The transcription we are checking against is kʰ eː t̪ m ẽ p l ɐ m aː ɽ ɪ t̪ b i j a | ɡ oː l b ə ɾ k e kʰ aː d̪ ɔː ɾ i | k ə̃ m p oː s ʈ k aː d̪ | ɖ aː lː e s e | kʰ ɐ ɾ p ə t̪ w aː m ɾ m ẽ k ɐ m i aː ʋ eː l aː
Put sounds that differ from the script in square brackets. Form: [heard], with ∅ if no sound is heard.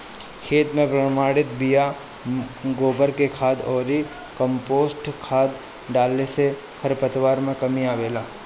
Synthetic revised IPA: kʰ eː t̪ m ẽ p [ɾ] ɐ m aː ɽ ɪ t̪ b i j a | ɡ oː [∅] b ə ɾ k e kʰ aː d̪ ɔː ɾ i | k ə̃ m p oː s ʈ [kʰ] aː d̪ | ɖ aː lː e s e | kʰ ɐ ɾ p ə t̪ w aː [∅] ɾ m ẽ k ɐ m i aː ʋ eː l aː